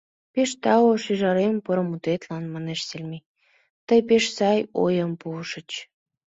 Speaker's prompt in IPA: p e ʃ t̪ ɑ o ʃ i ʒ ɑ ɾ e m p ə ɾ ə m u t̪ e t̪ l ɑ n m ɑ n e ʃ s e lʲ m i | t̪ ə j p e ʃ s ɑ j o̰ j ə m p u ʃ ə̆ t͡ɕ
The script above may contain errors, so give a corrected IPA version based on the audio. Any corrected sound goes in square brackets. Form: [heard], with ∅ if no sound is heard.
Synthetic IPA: p e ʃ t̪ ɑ o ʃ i ʒ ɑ ɾ e m p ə ɾ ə m u t̪ e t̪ l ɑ n m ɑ n e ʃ s e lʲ m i | t̪ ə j p e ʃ s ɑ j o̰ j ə m p u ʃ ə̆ t͡ɕ